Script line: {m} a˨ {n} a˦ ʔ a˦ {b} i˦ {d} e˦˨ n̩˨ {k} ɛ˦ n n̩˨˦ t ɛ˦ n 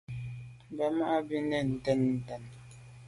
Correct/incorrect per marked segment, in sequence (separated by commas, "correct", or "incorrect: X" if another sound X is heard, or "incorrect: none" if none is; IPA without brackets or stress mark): incorrect: b, incorrect: m, correct, incorrect: n, incorrect: t